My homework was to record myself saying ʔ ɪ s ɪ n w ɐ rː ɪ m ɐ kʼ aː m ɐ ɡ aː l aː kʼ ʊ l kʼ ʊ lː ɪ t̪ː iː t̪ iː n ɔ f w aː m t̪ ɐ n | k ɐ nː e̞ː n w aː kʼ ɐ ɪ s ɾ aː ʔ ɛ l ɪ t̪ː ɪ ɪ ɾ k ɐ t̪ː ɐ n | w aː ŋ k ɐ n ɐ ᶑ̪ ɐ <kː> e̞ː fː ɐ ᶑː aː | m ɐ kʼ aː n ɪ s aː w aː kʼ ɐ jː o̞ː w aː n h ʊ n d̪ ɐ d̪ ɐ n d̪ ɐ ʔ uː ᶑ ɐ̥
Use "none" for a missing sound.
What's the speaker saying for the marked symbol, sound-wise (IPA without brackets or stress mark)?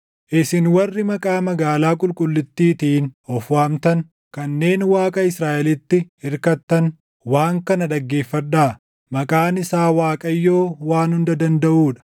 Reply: ɡː